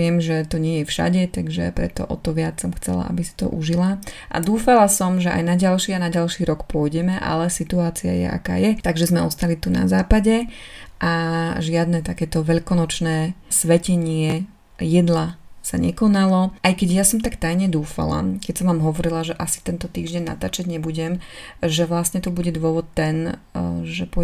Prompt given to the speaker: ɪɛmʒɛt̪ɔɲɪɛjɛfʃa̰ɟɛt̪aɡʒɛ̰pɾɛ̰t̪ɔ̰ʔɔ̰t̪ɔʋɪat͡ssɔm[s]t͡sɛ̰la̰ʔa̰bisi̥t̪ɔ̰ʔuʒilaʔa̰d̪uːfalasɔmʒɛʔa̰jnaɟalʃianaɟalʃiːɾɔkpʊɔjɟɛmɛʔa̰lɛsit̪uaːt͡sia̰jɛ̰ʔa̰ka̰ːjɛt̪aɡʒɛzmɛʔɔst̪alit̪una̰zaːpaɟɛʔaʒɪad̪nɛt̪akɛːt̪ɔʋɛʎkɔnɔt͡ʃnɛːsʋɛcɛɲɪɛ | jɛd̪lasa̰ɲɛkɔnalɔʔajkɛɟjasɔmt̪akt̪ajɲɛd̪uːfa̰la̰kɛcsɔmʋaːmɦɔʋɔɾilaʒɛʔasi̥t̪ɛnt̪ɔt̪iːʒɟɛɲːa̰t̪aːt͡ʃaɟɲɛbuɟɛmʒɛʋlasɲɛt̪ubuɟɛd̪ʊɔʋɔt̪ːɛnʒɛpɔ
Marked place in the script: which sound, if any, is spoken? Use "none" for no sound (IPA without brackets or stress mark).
x